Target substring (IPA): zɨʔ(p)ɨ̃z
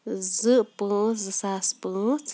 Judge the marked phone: correct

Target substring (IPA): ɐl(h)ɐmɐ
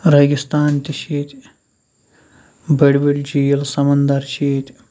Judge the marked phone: incorrect: s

